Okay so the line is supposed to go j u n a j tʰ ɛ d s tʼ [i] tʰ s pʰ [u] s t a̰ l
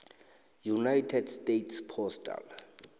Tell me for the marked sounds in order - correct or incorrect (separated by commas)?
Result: incorrect, incorrect